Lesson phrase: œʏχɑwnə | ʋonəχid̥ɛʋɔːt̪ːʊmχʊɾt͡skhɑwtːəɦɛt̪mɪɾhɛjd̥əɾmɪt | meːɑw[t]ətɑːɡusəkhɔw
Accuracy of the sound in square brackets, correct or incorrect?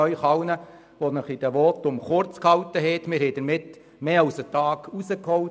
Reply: incorrect